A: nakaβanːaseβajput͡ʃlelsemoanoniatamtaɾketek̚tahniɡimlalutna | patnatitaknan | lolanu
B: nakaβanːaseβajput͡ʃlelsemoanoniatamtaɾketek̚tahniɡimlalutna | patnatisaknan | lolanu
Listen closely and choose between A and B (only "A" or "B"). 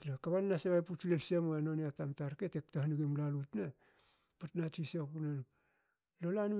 B